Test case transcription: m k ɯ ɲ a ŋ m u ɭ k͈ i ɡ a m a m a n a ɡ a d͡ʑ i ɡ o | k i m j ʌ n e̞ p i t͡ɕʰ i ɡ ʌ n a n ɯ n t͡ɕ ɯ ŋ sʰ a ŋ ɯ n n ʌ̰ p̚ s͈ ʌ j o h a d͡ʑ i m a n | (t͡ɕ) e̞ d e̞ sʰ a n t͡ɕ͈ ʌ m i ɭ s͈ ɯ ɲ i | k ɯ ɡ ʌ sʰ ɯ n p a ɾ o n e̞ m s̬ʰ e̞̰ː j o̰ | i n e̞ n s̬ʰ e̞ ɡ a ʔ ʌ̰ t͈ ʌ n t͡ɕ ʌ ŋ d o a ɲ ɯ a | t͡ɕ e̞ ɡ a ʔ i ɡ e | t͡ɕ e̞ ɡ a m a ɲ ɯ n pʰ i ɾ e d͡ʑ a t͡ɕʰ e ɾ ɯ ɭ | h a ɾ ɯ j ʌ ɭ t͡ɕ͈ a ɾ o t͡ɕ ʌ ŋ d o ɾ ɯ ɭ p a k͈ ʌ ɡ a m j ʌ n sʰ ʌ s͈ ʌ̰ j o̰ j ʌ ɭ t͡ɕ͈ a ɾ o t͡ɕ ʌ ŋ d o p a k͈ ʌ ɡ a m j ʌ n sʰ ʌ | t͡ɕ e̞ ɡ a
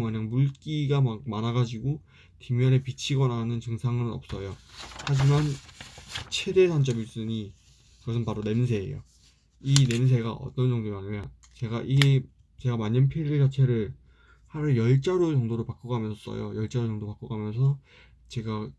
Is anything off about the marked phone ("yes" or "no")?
yes